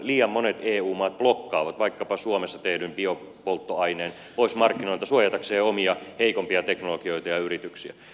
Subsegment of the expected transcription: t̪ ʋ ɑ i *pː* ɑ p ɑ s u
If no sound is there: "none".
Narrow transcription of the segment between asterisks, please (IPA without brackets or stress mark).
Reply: kː